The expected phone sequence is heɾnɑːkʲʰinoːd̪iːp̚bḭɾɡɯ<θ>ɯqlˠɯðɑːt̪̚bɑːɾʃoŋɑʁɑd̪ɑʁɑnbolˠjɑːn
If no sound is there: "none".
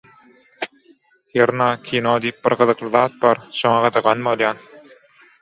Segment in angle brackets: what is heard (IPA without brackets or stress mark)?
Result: ð